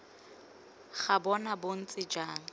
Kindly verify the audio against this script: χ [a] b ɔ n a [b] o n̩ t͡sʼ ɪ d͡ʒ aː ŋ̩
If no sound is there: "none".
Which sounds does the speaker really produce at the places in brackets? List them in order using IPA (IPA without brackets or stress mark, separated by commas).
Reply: a, b